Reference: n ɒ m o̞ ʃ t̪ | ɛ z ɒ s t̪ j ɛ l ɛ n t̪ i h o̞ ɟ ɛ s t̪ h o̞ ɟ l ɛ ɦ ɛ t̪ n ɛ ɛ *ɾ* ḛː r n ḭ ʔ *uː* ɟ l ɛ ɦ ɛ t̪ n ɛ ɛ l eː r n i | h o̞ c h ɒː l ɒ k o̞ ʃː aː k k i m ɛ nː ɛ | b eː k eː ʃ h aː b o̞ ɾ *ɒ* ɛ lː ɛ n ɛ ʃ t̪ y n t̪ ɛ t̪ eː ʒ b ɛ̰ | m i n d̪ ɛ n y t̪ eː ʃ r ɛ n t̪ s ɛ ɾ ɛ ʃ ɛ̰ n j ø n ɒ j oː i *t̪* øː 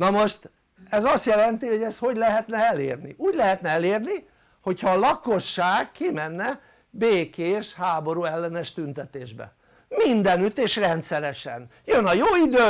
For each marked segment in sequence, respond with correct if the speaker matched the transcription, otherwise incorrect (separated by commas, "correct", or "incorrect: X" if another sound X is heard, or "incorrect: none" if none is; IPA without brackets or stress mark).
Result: incorrect: l, correct, incorrect: u, incorrect: d̪